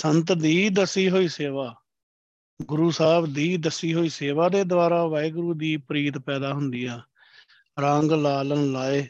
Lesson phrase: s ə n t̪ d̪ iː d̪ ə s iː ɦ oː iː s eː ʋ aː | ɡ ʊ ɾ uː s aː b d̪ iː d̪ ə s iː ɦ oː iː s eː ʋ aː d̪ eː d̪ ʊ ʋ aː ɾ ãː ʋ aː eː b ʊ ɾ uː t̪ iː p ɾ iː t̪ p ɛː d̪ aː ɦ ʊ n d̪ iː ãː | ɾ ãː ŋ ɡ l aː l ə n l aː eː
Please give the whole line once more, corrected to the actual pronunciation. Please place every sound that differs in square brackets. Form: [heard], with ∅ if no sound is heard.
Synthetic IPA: s ə n t̪ d̪ iː d̪ ə s iː ɦ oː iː s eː ʋ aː | ɡ ʊ ɾ uː s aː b d̪ iː d̪ ə s iː ɦ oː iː s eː ʋ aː d̪ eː d̪ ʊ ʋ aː ɾ [aː] ʋ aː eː [ɡ] ʊ ɾ uː [d̪] iː p ɾ iː t̪ p ɛː d̪ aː ɦ ʊ n d̪ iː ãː | ɾ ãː ŋ ɡ l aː l ə n l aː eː